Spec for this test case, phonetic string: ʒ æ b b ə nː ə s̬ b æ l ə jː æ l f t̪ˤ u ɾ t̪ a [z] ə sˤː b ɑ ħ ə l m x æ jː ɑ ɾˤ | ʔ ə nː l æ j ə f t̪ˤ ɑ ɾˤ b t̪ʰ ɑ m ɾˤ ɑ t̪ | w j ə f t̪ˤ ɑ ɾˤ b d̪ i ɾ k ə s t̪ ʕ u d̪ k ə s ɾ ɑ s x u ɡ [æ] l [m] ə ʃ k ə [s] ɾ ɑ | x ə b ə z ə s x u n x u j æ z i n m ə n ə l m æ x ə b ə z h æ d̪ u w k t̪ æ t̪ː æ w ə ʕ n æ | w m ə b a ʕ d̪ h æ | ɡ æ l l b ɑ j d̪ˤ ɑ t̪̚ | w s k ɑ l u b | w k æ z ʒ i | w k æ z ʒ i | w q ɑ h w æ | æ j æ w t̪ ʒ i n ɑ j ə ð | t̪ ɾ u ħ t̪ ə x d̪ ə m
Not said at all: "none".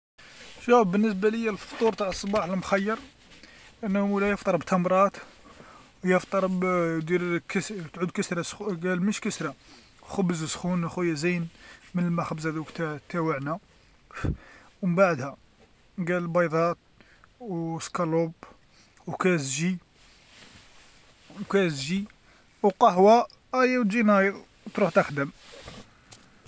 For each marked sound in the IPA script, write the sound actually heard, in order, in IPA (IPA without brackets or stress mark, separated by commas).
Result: ʕ, æ, m, s